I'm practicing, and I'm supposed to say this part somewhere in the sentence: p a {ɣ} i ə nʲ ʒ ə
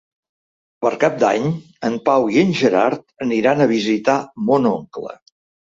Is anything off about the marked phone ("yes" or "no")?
yes